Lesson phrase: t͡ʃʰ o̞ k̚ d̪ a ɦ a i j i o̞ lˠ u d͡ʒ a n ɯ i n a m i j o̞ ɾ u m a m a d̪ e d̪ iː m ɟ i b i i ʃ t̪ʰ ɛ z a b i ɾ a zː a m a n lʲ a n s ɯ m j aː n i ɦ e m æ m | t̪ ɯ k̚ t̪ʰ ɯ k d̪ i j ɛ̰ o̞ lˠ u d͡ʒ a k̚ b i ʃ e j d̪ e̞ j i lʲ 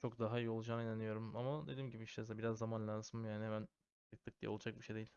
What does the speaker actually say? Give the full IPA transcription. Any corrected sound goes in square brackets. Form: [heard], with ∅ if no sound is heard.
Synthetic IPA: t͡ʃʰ o̞ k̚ d̪ a ɦ a i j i o̞ lˠ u d͡ʒ a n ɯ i n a [n] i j o̞ ɾ u m a m a d̪ e d̪ iː m ɟ i b i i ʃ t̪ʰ ɛ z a b i ɾ a zː a m a n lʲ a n s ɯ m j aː n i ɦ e m æ [n] | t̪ ɯ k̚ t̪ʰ ɯ k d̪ i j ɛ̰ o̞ lˠ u d͡ʒ a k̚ b i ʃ e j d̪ e̞ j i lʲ